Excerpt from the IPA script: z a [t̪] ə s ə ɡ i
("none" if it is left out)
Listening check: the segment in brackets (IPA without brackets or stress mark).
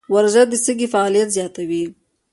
d̪